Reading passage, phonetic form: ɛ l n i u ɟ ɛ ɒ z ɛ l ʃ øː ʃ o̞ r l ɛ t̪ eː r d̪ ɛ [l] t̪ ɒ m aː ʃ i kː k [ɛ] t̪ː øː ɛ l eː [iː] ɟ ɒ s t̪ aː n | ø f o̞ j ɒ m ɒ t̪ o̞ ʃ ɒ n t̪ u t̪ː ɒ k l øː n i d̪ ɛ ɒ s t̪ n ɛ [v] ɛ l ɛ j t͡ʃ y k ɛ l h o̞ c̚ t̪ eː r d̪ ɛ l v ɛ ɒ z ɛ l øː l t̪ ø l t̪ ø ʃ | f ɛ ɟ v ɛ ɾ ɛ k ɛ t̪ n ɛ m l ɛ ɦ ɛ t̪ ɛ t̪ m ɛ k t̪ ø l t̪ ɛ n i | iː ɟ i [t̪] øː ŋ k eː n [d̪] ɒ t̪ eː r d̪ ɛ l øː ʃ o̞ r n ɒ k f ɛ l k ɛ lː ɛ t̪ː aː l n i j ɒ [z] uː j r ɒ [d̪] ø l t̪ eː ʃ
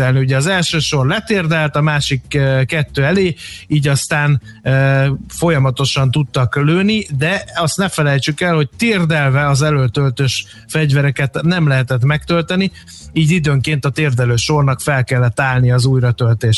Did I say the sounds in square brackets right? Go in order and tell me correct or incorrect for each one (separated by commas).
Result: correct, correct, correct, incorrect, incorrect, incorrect, correct, incorrect